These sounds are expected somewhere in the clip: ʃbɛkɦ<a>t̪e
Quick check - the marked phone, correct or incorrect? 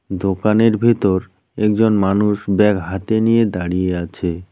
correct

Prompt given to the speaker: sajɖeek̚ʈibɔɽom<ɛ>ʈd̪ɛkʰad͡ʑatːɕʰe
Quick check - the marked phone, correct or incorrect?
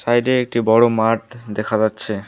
incorrect: a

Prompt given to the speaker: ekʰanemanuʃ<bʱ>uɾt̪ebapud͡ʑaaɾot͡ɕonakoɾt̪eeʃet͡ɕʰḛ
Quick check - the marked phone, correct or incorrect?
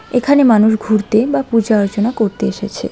incorrect: ɡʱ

